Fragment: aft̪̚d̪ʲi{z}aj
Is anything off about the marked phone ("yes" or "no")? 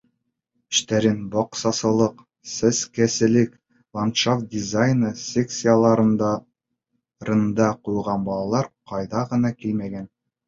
no